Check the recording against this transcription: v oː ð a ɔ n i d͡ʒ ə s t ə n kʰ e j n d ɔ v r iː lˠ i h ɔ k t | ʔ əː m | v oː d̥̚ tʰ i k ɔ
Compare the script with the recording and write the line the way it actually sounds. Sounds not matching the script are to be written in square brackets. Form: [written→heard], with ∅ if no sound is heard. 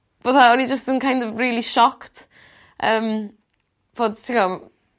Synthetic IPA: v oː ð a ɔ n i d͡ʒ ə s t ə n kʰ [e→a] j n d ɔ v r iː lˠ i [h→ʃ] ɔ k t | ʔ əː m | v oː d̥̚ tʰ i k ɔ